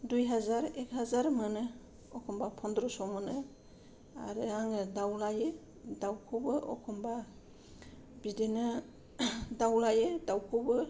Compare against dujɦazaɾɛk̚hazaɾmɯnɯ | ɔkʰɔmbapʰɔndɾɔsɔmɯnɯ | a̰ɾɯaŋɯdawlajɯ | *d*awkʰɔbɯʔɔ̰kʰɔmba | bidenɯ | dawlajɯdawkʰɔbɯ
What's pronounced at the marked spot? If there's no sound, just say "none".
d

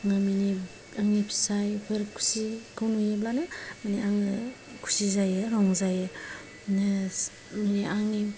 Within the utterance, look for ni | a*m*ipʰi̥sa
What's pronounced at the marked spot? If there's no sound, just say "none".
ŋ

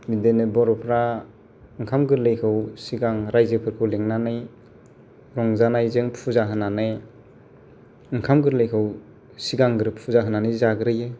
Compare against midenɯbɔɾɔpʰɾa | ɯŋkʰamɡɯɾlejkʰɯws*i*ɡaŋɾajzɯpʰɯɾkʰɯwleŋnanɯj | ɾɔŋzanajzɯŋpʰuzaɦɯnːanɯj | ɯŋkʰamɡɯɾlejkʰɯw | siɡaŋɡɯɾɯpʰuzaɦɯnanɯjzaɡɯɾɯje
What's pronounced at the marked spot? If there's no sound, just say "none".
i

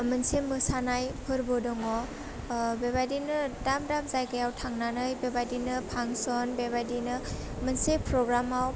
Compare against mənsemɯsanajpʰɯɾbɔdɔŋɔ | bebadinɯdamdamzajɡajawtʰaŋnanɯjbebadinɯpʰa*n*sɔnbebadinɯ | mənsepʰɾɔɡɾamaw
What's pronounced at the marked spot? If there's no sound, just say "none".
ŋ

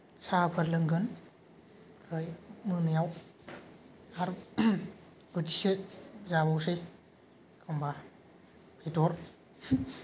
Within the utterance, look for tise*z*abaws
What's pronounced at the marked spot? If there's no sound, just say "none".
z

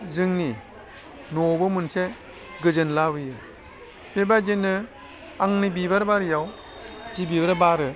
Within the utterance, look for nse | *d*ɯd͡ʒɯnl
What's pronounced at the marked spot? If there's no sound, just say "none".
ɡ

